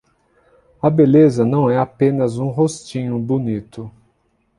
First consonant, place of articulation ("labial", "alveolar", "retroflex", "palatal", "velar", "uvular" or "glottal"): labial